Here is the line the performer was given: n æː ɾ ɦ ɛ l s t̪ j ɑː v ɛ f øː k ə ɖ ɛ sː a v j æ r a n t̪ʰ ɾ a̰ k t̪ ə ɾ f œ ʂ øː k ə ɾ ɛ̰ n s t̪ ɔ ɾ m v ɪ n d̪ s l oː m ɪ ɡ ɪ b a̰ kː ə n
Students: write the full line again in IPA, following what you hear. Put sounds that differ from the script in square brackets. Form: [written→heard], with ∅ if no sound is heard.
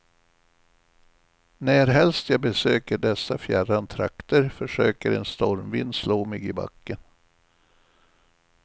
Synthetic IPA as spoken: n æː ɾ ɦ ɛ l s t̪ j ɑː [v→b] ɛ [f→s] øː k ə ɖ ɛ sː a [v→f] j æ r a n t̪ʰ ɾ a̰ k t̪ ə ɾ f œ ʂ øː k ə ɾ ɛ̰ n s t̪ ɔ ɾ m v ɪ n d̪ s l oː m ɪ ɡ ɪ b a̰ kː ə n